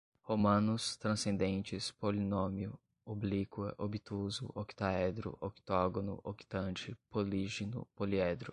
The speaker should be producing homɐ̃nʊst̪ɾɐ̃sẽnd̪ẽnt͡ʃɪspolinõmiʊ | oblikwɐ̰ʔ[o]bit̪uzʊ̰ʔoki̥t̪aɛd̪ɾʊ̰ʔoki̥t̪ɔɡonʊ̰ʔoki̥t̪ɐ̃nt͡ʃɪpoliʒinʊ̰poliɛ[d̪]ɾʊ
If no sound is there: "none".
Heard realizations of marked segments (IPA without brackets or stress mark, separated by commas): o, d̪